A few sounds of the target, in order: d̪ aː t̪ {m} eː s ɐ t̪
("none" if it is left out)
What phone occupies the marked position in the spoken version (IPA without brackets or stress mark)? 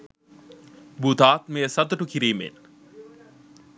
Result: m